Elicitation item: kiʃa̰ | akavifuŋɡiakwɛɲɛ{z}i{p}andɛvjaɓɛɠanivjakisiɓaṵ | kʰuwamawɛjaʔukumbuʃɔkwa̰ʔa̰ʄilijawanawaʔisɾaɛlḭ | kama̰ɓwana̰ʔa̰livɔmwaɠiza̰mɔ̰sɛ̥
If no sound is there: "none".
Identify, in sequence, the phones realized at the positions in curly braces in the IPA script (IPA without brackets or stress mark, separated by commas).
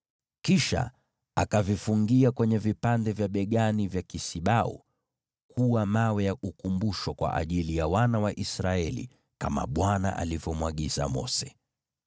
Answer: v, p